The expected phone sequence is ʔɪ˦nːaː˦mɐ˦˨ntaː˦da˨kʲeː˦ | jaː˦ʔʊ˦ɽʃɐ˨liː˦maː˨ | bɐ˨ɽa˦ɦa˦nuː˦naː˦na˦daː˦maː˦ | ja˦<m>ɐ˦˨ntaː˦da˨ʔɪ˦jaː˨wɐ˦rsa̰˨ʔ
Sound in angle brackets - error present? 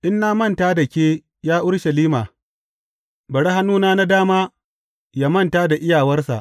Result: no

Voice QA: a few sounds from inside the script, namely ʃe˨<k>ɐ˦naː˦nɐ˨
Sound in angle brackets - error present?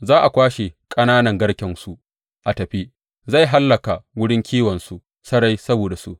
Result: yes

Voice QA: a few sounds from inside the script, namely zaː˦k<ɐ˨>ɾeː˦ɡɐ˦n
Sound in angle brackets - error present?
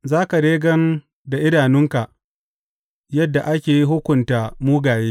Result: yes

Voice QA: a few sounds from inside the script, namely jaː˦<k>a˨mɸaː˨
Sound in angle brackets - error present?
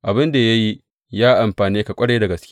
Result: yes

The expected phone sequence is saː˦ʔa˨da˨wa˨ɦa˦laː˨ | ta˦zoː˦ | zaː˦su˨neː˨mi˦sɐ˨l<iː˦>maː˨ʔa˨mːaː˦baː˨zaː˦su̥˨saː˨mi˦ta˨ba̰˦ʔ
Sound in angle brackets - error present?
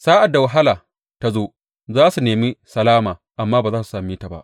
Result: yes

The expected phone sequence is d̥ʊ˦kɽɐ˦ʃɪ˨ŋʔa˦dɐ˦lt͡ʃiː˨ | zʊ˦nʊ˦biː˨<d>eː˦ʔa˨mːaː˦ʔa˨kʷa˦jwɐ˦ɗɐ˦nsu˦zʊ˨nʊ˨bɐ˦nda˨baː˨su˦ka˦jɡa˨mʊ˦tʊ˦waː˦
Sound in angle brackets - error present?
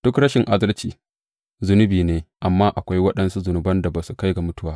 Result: yes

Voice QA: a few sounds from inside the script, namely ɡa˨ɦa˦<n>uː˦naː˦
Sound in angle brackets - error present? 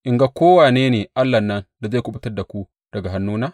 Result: yes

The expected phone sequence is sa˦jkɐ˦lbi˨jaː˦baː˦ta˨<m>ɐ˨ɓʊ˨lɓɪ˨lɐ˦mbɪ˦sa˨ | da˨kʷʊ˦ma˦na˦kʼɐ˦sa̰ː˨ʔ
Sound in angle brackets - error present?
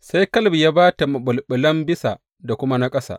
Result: no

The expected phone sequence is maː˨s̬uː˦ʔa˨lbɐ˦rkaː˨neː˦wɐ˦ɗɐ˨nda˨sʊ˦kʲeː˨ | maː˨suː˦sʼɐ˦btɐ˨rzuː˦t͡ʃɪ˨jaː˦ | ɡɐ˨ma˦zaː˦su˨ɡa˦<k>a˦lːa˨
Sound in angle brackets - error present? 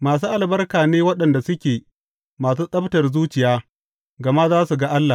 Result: yes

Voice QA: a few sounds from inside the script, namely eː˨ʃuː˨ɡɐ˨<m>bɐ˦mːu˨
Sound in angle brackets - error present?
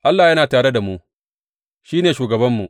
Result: yes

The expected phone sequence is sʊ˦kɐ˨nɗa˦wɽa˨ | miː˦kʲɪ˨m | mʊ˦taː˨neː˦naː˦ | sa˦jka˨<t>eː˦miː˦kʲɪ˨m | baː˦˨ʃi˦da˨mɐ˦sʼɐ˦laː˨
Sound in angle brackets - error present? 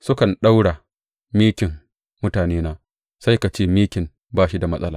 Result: yes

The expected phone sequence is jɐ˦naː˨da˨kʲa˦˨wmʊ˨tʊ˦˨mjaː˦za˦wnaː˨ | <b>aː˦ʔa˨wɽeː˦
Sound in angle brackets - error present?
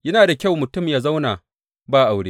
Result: no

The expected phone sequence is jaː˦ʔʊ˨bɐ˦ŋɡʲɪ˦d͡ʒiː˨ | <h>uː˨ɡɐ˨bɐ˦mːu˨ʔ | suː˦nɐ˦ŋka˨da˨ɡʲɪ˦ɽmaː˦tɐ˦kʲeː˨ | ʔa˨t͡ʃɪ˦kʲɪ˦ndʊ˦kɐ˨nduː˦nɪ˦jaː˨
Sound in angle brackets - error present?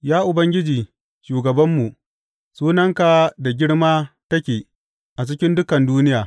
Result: yes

